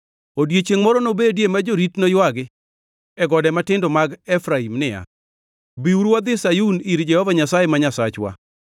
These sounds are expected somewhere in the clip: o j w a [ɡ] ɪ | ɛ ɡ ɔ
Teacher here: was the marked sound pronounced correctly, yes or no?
yes